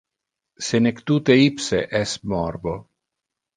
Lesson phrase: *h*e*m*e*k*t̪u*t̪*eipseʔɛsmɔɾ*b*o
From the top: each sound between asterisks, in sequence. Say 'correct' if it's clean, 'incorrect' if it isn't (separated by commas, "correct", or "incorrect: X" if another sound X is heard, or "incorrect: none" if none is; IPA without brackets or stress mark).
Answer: incorrect: s, incorrect: n, correct, correct, correct